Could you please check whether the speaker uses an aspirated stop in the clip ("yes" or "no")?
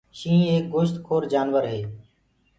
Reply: yes